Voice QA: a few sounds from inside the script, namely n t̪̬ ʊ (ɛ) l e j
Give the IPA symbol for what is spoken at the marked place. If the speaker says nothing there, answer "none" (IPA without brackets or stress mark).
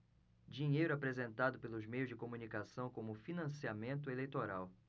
e